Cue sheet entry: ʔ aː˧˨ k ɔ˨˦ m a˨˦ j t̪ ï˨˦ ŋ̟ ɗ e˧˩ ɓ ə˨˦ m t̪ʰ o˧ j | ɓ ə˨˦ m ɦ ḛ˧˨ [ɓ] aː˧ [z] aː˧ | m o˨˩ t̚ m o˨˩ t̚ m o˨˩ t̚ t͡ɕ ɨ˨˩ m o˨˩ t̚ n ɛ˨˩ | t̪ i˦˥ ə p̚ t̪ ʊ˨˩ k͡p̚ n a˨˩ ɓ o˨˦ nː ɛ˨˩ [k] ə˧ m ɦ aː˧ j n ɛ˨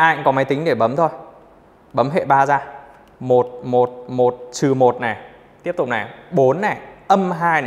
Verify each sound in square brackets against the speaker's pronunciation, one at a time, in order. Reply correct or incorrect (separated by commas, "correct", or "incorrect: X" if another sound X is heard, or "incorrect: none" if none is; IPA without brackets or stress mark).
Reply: correct, correct, incorrect: ʔ